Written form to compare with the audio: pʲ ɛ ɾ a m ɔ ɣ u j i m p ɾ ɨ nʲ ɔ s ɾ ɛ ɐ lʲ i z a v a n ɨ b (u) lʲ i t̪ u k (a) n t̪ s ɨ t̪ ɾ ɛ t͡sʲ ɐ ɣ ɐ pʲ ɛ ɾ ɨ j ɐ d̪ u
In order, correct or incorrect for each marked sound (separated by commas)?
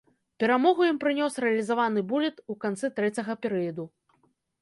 correct, correct